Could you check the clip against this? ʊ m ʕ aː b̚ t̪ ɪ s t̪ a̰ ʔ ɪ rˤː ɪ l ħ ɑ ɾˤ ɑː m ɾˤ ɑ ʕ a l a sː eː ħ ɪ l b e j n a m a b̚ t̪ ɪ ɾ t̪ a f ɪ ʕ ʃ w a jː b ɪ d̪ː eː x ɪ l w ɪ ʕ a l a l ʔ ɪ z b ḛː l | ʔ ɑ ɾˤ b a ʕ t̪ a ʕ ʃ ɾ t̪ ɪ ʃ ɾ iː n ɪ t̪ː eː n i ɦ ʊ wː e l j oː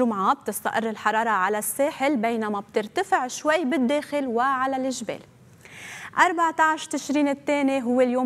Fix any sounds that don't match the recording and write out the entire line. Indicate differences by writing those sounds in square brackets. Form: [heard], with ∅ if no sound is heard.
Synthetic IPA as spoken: ʊ m ʕ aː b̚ t̪ ɪ s t̪ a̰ ʔ ɪ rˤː ɪ l ħ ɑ ɾˤ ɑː [∅] ɾˤ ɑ ʕ a l a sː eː ħ ɪ l b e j n a m a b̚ t̪ ɪ ɾ t̪ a f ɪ ʕ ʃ w a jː b ɪ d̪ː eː x ɪ l w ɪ ʕ a l a l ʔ ɪ [ʒ] b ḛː l | ʔ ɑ ɾˤ b a ʕ t̪ a ʕ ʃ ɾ t̪ ɪ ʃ ɾ iː n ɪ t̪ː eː n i ɦ ʊ wː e l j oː